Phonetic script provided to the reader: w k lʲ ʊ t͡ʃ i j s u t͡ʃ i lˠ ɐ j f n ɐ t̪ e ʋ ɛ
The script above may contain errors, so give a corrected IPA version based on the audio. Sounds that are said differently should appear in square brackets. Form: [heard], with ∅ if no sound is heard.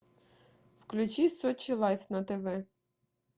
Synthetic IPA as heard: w k lʲ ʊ t͡ʃ i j s [ɔ] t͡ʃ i lˠ [ɑ] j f n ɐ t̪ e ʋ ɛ